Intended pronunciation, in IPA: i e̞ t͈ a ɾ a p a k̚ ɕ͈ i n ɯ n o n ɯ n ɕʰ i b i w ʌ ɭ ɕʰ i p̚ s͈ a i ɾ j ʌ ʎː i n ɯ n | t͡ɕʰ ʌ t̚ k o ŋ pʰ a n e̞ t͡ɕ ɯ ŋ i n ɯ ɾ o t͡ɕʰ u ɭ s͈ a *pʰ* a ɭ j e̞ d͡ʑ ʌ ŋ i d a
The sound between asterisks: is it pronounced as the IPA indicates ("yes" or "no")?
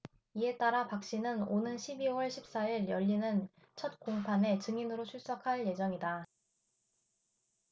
no